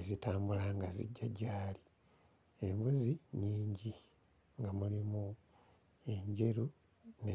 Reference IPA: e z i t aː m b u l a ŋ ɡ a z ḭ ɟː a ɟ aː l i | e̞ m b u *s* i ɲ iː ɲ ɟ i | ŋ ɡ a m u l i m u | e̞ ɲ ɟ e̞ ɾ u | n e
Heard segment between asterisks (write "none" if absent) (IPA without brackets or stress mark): z